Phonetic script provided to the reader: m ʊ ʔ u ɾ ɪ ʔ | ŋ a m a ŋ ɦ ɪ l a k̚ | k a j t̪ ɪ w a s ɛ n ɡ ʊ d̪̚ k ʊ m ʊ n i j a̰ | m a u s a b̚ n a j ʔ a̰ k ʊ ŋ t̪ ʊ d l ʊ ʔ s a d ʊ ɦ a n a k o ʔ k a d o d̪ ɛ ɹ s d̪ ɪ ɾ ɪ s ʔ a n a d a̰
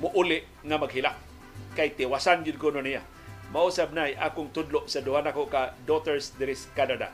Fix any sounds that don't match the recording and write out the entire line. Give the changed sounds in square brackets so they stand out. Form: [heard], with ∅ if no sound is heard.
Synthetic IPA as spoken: m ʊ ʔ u [l] ɪ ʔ | ŋ a m a [ɡ] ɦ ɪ l a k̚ | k a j t̪ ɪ w a s [a] n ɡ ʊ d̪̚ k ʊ [n] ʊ n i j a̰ | m a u s a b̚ n a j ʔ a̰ k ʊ ŋ t̪ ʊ d l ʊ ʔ s a d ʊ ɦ a n a k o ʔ k a d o [t̪] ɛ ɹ s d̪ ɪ ɾ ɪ s [k] a n a d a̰